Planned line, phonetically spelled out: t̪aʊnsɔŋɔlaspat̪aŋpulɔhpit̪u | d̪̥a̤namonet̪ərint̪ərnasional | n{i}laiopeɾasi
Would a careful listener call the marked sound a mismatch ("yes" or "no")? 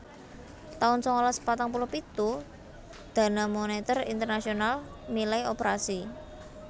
no